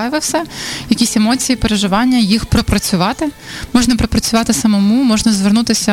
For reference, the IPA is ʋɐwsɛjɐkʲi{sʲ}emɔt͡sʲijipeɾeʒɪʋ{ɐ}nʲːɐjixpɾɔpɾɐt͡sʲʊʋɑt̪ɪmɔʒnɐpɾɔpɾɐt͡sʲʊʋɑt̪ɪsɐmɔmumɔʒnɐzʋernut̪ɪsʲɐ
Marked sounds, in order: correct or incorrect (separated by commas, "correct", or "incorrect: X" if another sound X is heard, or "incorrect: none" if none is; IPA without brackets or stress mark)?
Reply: correct, incorrect: ɑ